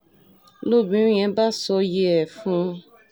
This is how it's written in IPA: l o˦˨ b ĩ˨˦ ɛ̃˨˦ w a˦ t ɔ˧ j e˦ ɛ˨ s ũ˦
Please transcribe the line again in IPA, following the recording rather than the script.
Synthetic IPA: l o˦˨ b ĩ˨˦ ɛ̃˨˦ b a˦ s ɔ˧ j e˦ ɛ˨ f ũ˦